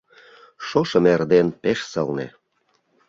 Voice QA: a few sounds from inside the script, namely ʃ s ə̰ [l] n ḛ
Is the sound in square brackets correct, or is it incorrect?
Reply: correct